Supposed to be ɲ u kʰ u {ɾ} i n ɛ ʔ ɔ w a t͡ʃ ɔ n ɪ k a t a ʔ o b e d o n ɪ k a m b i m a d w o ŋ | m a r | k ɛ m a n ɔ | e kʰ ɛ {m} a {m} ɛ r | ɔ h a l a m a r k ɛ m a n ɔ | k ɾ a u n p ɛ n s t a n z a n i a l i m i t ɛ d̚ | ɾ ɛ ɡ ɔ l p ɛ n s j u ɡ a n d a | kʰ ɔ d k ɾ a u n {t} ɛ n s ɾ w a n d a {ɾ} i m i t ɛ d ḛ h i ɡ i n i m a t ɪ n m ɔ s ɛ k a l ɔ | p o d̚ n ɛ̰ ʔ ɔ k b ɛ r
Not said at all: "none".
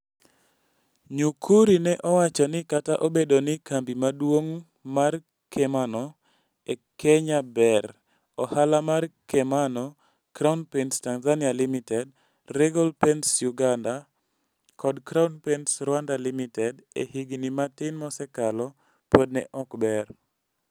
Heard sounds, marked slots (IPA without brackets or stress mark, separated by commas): ɾ, ɲ, b, p, l